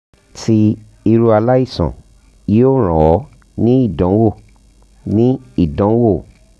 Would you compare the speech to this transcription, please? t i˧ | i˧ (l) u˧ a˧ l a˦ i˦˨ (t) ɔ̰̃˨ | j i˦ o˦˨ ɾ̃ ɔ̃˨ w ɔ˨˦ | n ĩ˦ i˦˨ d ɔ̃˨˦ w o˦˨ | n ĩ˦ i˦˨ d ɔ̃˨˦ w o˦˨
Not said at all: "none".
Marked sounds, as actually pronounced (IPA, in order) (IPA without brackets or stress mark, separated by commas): ɾ, s